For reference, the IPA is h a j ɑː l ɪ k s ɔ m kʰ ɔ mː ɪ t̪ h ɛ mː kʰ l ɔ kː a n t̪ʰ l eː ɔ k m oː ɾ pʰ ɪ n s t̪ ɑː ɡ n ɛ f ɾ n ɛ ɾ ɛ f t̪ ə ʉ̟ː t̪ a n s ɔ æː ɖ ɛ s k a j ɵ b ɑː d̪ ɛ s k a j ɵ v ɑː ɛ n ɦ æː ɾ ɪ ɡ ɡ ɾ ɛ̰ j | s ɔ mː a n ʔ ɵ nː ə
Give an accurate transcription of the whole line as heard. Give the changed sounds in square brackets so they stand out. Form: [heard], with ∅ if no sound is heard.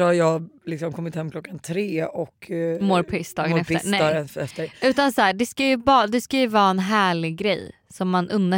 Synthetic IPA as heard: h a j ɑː l ɪ k s ɔ m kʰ ɔ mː ɪ t̪ h ɛ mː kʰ l ɔ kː a n t̪ʰ [ɾ] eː ɔ k m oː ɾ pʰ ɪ [∅] s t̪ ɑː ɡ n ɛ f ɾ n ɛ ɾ ɛ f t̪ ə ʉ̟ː t̪ a n s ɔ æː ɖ ɛ s k a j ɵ b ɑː d̪ ɛ s k a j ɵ v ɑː ɛ n ɦ æː [ɭ] ɪ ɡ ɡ ɾ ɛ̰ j | s ɔ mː a n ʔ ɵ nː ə